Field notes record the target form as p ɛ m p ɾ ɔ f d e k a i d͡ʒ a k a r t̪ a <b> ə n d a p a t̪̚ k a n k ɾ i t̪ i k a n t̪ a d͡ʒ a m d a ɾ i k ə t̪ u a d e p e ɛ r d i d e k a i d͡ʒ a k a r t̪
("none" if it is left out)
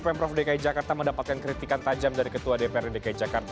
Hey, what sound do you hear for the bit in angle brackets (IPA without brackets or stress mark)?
m